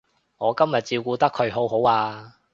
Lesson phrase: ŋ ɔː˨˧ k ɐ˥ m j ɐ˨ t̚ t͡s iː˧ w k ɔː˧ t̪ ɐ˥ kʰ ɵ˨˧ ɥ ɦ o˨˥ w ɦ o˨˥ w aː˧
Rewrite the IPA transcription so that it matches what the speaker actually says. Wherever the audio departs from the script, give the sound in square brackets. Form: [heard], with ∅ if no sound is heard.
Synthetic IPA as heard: ŋ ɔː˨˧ k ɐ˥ m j ɐ˨ t̚ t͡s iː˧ w k [uː˧] t̪ ɐ˥ kʰ ɵ˨˧ ɥ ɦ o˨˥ w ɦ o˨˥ w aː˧